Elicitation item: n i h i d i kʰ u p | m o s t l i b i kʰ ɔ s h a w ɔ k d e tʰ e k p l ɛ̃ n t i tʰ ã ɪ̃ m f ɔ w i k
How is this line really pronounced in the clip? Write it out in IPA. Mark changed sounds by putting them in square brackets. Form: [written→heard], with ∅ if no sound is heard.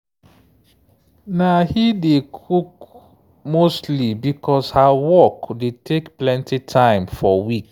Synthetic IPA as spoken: n [i→a] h i d [i→e] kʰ u [p→k] | m o s t l i b i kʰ ɔ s h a w ɔ k d e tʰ e k p l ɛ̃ n t i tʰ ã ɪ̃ m f ɔ w i k